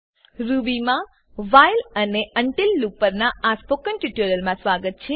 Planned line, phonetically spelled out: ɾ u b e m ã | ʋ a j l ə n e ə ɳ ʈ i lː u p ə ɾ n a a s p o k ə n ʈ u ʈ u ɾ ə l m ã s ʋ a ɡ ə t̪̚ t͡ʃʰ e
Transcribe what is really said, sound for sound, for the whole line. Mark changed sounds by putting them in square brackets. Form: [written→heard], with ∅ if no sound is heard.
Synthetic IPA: ɾ u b [e→i] m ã | ʋ a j l ə n e ə ɳ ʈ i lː u p ə ɾ n a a s p o k ə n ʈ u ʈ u ɾ ə l m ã s ʋ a ɡ ə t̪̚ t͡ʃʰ e